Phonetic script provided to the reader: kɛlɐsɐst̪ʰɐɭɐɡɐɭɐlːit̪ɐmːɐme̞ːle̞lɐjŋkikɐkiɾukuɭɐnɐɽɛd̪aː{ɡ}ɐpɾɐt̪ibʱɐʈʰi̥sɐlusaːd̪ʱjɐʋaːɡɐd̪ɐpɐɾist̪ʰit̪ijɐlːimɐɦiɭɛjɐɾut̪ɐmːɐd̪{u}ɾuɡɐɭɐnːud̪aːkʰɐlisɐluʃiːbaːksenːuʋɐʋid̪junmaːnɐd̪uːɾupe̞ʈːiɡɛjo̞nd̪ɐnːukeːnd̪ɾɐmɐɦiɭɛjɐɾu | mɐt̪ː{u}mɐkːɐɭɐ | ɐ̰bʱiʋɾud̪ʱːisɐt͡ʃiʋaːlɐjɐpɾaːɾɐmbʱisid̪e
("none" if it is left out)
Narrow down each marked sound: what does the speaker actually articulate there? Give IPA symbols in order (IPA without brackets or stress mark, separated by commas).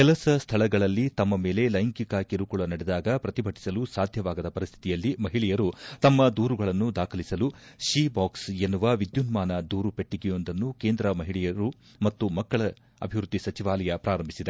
ɡ, uː, u